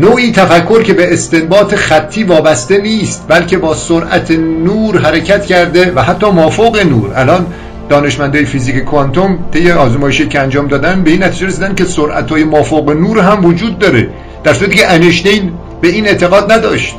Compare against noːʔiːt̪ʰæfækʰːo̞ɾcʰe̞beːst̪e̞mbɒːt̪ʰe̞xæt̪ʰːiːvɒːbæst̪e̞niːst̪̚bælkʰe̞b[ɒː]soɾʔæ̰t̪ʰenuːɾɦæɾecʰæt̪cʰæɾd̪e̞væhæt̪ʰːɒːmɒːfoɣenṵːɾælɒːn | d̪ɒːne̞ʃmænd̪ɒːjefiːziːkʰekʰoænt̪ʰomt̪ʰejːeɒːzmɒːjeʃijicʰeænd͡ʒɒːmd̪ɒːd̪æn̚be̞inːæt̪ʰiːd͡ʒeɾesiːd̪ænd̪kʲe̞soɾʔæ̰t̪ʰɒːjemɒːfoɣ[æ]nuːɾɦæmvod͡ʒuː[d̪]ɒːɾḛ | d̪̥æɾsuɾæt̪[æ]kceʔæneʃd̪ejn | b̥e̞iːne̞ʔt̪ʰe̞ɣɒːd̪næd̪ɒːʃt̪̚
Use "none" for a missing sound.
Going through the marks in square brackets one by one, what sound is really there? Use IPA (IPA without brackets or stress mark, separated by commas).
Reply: ɒː, e, d̪ː, i